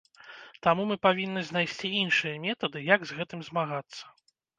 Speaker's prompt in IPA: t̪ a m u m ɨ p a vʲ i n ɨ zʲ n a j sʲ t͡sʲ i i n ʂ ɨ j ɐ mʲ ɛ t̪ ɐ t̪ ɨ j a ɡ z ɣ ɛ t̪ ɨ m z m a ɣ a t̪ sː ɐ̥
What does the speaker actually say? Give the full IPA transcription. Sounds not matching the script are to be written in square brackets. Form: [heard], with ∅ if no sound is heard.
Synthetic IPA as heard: t̪ a m u m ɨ p a vʲ i [nː] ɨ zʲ n a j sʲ t͡sʲ i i n ʂ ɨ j ɐ mʲ ɛ t̪ ɐ [d̪] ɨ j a ɡ z ɣ ɛ t̪ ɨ m z m a ɣ a t̪ sː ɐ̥